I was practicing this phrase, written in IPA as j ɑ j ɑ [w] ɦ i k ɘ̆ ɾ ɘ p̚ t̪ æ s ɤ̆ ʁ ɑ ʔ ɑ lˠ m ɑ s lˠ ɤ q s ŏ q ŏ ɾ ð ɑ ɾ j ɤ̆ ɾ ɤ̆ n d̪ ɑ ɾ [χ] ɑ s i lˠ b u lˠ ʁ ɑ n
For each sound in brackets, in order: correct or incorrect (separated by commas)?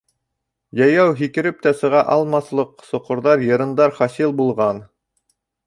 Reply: correct, correct